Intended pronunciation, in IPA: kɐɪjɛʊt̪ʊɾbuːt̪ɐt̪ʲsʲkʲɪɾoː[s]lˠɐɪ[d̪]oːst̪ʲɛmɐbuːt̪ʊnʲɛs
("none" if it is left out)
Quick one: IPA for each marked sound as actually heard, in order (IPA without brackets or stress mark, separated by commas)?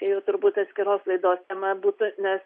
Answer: s, d̪